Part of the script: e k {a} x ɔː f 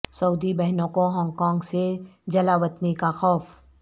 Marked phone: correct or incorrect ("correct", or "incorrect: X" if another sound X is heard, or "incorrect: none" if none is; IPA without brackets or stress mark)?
correct